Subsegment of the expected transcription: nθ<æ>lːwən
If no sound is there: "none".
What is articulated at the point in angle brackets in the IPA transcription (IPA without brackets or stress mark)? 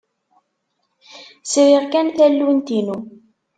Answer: æ